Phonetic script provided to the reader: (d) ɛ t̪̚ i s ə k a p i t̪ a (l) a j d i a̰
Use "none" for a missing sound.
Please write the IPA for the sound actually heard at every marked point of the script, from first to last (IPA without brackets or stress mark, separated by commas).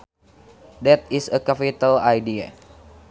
d, l